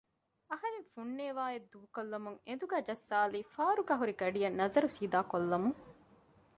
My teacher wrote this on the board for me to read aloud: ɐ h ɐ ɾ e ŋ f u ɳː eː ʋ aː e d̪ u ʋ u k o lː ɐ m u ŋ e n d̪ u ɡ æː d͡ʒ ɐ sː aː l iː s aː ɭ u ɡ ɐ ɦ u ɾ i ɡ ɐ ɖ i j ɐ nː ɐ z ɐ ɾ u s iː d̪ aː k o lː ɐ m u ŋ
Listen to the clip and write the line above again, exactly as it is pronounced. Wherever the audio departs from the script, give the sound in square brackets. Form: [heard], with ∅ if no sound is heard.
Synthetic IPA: ɐ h ɐ ɾ e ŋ f u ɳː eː ʋ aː e d̪ u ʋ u k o lː ɐ m u ŋ e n d̪ u ɡ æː d͡ʒ ɐ sː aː l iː [f] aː [ɾ] u ɡ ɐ ɦ u ɾ i ɡ ɐ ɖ i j ɐ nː ɐ z ɐ ɾ u s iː d̪ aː k o lː ɐ m u ŋ